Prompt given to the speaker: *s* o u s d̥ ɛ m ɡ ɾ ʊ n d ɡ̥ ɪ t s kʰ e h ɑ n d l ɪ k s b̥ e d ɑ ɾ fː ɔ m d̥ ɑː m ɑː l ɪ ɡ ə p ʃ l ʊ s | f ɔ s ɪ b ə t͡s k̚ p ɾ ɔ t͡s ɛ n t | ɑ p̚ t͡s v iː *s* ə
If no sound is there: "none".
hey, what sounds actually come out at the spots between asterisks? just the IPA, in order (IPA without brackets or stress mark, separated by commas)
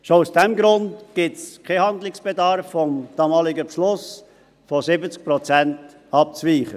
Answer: ʃ, χ